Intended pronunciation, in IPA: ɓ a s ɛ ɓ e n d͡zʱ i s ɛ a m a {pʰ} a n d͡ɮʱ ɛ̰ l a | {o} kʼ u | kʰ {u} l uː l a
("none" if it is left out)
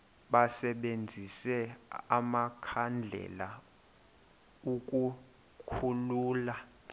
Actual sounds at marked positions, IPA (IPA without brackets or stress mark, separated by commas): kʰ, u, u